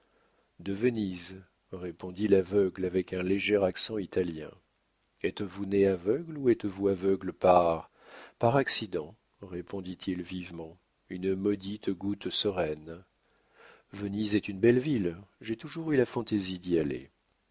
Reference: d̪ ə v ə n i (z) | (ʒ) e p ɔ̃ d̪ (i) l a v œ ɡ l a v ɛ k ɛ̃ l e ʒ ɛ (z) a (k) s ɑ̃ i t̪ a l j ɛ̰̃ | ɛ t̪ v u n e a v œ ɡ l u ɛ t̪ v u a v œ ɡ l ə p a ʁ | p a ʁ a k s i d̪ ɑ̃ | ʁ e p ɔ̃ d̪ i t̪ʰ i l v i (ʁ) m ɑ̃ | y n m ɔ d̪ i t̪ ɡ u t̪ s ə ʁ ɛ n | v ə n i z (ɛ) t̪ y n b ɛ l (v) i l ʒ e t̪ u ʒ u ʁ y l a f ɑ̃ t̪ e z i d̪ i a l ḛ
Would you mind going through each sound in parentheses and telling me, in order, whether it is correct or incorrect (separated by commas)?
correct, incorrect, correct, incorrect, correct, incorrect, correct, correct